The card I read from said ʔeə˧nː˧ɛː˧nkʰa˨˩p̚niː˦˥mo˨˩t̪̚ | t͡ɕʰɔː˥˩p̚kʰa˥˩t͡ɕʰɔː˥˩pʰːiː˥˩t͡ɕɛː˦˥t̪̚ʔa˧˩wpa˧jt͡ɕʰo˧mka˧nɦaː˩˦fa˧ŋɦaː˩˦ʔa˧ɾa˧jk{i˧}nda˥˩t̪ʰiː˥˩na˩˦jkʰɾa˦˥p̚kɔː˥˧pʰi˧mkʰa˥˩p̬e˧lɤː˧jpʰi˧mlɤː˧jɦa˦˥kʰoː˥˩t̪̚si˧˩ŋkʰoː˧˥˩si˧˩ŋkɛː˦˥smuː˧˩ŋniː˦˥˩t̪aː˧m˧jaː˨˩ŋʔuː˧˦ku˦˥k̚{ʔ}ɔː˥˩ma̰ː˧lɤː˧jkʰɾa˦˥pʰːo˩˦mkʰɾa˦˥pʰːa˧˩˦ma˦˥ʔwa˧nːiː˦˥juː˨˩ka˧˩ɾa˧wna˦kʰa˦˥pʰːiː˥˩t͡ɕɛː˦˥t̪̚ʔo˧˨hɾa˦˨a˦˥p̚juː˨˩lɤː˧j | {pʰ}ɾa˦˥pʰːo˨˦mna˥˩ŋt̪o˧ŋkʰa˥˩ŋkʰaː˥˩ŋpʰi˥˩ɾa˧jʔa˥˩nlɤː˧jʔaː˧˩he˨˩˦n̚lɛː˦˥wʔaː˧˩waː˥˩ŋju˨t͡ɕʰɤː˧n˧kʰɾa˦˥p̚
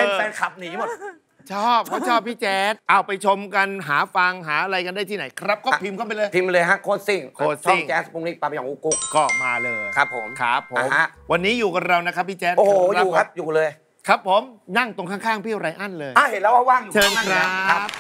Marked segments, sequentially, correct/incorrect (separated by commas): incorrect, incorrect, incorrect